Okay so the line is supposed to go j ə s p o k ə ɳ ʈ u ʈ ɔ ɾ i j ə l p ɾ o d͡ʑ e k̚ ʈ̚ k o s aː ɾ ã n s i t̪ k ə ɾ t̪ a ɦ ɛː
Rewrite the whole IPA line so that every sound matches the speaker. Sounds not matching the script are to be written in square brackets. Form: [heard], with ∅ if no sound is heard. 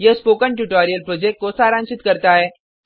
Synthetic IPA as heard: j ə s p o k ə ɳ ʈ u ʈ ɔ ɾ i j ə l p ɾ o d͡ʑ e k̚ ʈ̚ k o s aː ɾ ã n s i t̪ k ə ɾ t̪ a ɦ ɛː